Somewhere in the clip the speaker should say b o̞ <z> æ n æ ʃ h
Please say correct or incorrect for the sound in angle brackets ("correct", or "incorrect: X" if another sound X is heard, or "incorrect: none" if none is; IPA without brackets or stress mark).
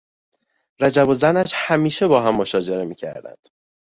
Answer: correct